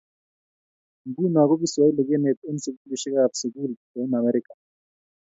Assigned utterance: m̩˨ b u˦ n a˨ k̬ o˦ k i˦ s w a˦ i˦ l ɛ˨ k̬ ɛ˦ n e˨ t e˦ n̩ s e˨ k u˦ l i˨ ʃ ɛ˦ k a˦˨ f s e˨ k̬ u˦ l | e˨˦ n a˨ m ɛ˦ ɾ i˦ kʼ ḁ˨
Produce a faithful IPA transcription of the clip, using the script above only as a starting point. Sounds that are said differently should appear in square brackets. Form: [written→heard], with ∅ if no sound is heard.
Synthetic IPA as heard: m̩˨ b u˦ n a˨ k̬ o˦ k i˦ s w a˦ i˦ l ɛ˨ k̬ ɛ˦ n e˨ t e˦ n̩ s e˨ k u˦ l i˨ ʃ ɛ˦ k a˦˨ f s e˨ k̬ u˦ l | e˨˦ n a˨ m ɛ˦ ɾ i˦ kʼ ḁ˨